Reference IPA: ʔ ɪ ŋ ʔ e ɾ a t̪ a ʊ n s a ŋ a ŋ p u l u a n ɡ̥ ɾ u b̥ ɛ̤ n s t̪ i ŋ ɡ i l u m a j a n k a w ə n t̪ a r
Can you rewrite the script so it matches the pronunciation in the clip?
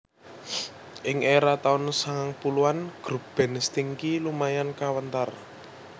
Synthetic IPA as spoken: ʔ ɪ ŋ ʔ e ɾ a t̪ a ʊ n s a ŋ a ŋ p u l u a n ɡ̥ ɾ u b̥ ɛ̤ n s t̪ i ŋ k i l u m a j a n k a w ə n t̪ a r